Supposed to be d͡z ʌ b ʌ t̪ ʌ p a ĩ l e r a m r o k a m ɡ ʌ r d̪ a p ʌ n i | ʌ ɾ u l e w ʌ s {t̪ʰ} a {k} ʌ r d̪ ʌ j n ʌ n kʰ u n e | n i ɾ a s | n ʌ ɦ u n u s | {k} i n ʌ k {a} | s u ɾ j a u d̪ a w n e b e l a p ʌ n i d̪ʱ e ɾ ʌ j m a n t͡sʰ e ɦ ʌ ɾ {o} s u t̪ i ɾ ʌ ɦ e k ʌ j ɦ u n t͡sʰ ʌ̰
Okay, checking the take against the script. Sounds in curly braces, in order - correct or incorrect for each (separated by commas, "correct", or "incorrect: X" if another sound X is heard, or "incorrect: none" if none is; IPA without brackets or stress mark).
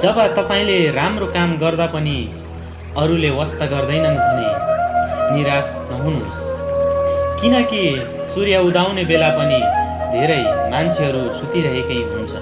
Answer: incorrect: t̪, incorrect: ɡ, correct, incorrect: i, incorrect: u